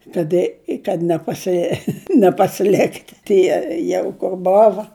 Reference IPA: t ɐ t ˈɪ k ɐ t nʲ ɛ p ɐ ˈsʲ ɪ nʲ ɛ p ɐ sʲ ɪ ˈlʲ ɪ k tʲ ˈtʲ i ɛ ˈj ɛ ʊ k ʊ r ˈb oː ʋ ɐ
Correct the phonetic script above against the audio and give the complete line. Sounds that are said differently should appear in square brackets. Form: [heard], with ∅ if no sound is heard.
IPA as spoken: [k] ɐ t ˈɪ k ɐ t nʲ ɛ p ɐ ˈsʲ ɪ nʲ ɛ p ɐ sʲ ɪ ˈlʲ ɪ k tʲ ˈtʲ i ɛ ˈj ɛ ʊ k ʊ r ˈb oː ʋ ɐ